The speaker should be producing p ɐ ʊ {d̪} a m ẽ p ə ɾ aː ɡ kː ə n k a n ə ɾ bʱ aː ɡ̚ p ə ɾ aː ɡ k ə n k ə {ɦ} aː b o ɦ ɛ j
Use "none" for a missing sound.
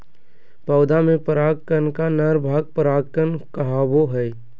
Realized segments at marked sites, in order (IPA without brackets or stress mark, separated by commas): d̪, ɦ